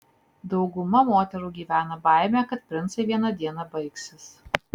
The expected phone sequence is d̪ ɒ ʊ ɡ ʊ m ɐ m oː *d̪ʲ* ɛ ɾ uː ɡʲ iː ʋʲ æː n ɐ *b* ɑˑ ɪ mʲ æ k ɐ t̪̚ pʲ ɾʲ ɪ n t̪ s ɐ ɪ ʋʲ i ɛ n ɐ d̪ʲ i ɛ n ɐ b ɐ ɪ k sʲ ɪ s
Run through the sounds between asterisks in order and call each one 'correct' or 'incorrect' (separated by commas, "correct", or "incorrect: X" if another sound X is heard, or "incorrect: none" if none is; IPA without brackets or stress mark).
incorrect: t̪ʲ, correct